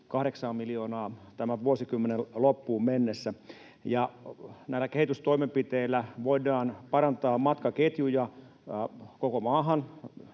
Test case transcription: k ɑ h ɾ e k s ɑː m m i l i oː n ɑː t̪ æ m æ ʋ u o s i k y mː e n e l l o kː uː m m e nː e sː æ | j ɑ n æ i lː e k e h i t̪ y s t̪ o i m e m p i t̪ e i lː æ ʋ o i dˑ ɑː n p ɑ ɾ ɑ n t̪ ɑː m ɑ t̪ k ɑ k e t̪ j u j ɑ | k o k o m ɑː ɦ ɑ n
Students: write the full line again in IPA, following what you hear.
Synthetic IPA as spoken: k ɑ h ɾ e k s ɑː m m i l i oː n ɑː t̪ æ m æ ʋ u o s i k y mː e n e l l o pː uː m m e nː e sː æ | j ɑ n æ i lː æ k e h i t̪ y s t̪ o i m e m p i t̪ e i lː æ ʋ o i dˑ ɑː n p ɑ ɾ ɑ n t̪ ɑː m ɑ t̪ k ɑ k e t̪ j u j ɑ | k o k o m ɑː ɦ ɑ n

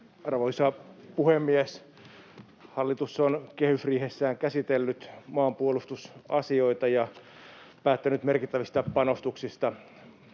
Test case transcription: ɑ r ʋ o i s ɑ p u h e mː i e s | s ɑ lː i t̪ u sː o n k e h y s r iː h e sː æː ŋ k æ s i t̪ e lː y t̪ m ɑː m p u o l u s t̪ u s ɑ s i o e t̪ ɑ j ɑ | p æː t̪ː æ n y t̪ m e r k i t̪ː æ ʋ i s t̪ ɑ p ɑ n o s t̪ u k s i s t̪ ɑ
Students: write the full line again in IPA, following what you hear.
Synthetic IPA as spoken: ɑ r ʋ o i s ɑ p u h e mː i e s | h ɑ lː i t̪ u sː o n k e h y s r iː h e sː æː ŋ k æ s i t̪ e lː y t̪ m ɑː m p u o l u s t̪ u s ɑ s i o i t̪ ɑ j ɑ | p æː t̪ː æ n y t̪ m e r k i t̪ː æ ʋ i s t̪ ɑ p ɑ n o s t̪ u k s i s t̪ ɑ

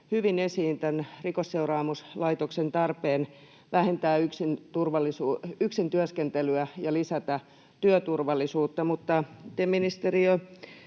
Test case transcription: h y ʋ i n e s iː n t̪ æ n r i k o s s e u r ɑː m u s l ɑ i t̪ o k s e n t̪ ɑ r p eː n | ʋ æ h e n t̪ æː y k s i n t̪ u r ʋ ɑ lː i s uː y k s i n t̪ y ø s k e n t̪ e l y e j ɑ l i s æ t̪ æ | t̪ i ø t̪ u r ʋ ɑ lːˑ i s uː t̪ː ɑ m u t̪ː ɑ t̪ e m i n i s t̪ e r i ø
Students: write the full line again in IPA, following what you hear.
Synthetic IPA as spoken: h y ʋ i n e s iː n t̪ æ n r i k o s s e u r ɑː m u s l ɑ i t̪ o k s e n t̪ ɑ r p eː n | ʋ æ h e n t̪ æː y k s i n t̪ u r ʋ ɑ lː i s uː y k s i n t̪ y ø s k e n t̪ e l y æ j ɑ l i s æ t̪ æ | t̪ y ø t̪ u r ʋ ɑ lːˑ i s uː t̪ː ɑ m u t̪ː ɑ t̪ e m i n i s t̪ e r i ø

